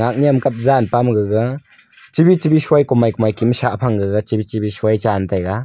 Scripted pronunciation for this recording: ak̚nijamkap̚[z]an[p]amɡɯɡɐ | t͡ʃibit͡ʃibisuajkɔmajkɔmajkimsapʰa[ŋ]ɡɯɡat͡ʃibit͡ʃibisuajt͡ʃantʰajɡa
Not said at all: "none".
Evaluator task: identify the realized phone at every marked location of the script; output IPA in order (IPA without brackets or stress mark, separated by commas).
z, p, ŋ